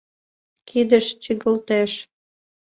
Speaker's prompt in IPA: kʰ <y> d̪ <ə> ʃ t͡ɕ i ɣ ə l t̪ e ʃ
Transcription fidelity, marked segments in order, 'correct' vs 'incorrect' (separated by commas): incorrect, correct